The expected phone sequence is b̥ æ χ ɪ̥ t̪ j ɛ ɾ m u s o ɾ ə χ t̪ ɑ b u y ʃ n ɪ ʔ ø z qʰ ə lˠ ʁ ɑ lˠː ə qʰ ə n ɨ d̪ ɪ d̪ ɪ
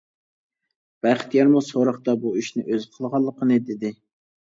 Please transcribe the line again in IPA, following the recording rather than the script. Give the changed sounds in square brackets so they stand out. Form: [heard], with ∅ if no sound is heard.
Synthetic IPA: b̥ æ χ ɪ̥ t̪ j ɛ ɾ m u s o ɾ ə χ t̪ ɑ b u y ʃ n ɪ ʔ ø z qʰ ə lˠ ʁ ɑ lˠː ə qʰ ə n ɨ d̪ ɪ d̪ ɪ